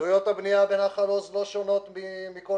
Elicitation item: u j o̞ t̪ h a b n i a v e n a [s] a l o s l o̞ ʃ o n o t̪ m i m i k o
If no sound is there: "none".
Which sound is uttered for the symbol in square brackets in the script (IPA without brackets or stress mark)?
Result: χ